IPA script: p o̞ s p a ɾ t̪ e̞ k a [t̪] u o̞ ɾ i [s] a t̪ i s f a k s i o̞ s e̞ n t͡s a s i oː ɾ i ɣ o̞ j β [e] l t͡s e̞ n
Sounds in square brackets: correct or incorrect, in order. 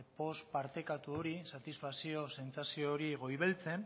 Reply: correct, correct, correct

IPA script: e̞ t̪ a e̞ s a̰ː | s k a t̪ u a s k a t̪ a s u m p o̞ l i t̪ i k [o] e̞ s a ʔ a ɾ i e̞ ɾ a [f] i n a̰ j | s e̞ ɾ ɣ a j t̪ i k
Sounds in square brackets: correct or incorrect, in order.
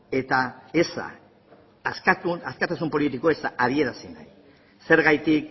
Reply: correct, incorrect: s

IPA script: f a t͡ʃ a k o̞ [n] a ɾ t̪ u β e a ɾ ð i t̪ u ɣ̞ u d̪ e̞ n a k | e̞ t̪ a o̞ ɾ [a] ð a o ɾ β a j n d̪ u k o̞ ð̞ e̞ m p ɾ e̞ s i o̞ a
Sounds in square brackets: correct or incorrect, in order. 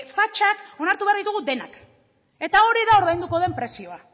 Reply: correct, incorrect: i

